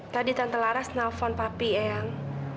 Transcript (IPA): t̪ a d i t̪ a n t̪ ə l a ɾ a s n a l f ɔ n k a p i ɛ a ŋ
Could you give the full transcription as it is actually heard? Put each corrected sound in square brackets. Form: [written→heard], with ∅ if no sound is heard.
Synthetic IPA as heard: t̪ a d i t̪ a n t̪ ə l a ɾ a s n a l f ɔ n [k→p] a p i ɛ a ŋ